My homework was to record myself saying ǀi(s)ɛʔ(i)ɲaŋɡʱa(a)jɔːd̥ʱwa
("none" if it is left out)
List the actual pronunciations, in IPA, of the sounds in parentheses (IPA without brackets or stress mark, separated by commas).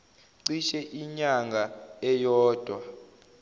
ʃ, i, ɛ